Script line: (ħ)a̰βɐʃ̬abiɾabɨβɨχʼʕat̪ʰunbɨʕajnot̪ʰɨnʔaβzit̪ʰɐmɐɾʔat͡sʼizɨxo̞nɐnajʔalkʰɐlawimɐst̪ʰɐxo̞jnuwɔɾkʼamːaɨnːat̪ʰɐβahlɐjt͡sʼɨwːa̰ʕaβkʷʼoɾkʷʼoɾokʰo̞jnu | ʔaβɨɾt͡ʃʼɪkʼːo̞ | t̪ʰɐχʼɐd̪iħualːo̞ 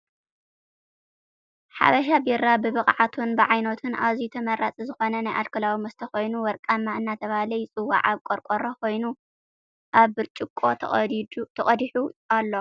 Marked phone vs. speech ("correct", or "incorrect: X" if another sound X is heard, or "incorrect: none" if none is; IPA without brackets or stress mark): correct